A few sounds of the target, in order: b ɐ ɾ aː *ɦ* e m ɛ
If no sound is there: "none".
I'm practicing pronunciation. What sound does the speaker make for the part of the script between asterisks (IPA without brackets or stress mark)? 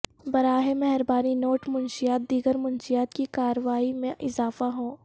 ɦ